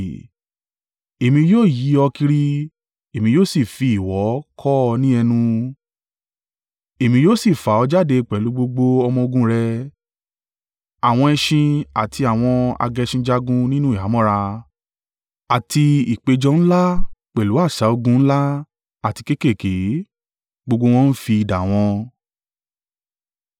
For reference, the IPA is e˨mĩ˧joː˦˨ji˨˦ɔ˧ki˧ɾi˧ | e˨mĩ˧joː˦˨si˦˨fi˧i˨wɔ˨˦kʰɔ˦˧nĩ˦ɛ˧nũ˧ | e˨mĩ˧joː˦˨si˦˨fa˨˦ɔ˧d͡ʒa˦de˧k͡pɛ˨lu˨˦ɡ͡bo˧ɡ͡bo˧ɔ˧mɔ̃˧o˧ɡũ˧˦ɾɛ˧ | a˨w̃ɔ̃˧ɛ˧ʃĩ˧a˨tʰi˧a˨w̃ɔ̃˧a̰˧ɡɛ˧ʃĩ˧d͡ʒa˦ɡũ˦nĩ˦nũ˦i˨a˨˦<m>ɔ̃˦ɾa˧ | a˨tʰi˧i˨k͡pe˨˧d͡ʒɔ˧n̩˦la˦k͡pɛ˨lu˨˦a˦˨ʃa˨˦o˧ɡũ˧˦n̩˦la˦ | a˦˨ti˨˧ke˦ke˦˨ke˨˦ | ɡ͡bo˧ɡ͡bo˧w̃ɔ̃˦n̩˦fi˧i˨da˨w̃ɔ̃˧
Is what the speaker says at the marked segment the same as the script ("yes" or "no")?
yes